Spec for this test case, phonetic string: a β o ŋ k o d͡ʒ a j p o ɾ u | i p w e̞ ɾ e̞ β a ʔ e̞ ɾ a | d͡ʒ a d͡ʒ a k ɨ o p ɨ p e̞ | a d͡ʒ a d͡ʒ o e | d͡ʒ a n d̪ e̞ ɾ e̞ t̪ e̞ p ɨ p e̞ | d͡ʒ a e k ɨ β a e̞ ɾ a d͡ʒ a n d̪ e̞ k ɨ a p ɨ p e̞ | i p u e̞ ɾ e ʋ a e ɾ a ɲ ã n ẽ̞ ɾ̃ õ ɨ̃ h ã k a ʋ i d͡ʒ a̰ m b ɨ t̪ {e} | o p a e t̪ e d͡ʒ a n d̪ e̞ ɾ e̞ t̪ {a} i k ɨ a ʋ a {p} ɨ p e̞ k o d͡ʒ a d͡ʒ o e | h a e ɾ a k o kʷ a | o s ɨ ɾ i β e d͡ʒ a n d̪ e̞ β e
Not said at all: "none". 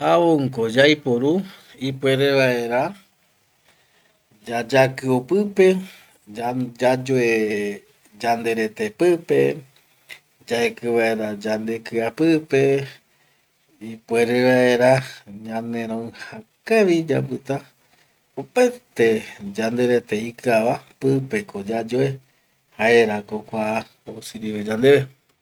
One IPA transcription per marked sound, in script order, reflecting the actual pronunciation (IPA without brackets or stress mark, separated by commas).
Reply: a, e, p